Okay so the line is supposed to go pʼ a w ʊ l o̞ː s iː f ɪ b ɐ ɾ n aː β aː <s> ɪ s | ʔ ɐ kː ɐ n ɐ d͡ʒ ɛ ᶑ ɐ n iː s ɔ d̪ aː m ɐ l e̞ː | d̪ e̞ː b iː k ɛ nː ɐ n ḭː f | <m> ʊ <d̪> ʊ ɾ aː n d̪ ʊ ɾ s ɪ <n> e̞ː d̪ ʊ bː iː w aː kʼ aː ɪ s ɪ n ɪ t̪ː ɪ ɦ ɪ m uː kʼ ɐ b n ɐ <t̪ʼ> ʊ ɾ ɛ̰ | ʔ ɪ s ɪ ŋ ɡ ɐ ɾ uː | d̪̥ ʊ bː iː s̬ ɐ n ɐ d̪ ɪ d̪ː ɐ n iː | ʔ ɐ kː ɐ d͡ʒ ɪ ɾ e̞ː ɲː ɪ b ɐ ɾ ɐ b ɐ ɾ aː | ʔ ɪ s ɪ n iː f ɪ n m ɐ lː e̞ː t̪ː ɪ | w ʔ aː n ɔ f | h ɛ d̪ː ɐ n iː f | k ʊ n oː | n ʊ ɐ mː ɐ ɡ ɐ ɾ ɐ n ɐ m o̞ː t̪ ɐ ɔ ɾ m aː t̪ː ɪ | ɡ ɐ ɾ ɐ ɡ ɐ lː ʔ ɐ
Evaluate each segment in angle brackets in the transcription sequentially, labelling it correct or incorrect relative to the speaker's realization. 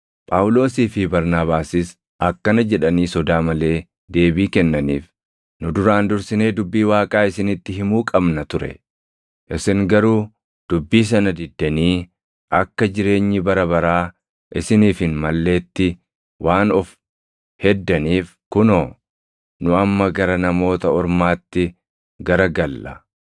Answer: correct, incorrect: n, correct, correct, incorrect: t̪

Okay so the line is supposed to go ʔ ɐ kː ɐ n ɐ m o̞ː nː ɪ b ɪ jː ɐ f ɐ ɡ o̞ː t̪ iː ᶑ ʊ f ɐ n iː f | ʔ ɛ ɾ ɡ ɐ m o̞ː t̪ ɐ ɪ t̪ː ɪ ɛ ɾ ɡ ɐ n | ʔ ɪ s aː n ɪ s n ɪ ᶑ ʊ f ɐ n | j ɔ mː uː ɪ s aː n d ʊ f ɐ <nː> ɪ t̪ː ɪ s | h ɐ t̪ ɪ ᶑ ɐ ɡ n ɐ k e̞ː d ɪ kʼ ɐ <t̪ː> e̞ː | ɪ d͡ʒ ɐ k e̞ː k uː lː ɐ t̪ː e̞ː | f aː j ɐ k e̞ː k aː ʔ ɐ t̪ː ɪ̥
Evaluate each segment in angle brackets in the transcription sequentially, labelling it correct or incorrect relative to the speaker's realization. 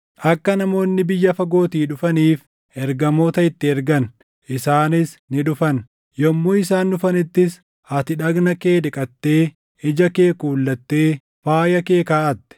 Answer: incorrect: n, correct

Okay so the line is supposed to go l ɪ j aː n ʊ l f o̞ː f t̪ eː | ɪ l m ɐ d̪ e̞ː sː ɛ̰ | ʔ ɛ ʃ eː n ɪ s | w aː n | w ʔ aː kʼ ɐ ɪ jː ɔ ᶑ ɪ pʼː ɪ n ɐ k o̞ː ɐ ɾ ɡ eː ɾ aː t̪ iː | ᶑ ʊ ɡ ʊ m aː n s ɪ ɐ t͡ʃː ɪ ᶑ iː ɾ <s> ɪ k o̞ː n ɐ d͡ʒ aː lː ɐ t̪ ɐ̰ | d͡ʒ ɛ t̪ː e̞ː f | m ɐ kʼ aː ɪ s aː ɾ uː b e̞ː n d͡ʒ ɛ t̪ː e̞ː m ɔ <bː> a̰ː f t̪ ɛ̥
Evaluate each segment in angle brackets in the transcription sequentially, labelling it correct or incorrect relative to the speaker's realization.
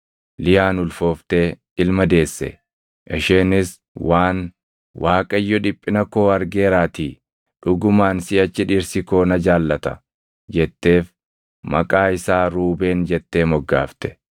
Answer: correct, incorrect: ɡː

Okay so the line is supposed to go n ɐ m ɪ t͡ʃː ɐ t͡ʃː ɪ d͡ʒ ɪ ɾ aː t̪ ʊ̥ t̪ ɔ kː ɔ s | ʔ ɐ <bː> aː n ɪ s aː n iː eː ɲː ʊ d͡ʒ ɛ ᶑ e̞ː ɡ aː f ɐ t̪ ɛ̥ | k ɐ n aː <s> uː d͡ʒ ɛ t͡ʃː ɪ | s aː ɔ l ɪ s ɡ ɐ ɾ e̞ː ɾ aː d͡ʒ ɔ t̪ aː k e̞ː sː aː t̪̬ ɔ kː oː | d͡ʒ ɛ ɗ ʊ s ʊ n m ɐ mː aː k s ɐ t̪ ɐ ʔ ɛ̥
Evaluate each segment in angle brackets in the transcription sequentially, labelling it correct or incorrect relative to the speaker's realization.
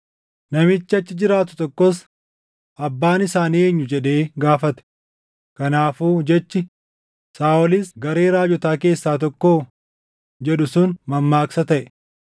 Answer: correct, incorrect: f

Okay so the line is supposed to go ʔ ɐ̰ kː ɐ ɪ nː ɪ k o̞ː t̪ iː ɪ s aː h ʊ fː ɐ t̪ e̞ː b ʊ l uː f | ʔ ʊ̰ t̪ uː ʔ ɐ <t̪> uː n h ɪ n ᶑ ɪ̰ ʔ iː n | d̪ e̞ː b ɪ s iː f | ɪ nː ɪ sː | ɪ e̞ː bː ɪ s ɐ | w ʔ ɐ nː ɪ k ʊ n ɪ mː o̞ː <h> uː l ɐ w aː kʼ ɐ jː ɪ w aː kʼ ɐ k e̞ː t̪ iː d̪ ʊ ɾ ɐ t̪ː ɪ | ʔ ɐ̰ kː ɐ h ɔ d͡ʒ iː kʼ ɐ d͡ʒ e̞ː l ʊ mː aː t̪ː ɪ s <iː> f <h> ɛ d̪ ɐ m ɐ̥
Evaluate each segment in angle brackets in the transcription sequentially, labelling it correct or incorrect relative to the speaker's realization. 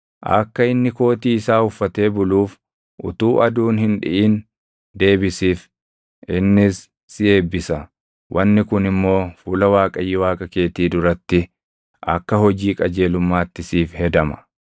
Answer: incorrect: d̪, incorrect: f, correct, correct

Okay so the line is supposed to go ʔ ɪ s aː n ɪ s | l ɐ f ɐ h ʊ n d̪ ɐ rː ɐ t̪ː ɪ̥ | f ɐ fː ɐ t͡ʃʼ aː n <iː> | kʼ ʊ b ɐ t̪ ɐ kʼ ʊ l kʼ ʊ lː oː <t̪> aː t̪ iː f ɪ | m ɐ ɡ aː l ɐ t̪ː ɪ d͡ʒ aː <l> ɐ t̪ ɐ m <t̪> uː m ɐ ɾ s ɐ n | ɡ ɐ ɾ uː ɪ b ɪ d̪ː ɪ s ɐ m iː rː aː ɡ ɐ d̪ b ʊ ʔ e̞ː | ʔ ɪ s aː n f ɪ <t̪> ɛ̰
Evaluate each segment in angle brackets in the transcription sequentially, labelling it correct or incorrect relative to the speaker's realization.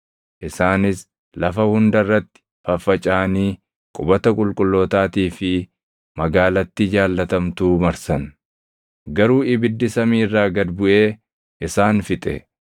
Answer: correct, correct, incorrect: lː, correct, incorrect: t̪ʼ

